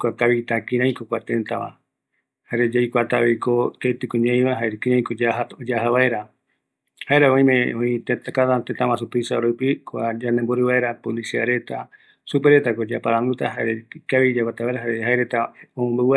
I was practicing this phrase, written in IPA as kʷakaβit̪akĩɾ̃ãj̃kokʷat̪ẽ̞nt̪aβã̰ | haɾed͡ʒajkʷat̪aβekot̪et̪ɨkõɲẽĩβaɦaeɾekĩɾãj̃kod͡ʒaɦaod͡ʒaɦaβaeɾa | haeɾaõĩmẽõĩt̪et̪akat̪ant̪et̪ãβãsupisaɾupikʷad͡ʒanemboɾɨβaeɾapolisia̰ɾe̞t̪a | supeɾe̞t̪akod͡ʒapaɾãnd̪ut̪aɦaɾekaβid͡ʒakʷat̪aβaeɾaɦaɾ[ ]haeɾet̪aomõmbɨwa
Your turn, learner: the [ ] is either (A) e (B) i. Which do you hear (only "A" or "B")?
A